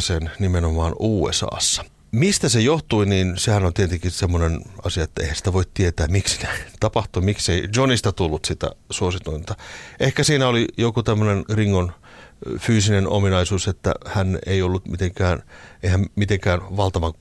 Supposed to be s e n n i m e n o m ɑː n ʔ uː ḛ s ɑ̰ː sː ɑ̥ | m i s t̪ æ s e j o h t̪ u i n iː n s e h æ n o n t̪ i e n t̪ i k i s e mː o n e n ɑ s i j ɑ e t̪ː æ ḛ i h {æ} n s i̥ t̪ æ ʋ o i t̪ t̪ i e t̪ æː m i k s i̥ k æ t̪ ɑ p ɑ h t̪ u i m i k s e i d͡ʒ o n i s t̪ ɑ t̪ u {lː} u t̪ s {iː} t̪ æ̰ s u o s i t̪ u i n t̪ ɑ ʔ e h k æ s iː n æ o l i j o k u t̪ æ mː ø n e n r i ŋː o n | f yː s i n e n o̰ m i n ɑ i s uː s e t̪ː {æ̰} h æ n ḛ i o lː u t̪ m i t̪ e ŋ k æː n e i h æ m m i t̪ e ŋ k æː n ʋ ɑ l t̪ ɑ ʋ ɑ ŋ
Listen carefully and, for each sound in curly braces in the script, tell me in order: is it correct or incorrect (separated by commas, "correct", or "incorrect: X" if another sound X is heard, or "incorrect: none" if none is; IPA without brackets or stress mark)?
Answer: correct, correct, incorrect: i, correct